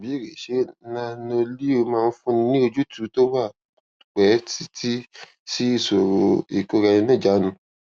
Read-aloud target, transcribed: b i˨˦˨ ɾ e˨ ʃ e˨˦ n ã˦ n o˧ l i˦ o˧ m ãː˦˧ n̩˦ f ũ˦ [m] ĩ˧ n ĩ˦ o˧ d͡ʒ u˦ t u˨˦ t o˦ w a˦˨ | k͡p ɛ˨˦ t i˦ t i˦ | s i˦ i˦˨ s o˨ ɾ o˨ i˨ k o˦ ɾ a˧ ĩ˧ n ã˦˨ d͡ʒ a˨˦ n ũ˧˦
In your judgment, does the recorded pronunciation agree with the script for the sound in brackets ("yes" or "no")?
no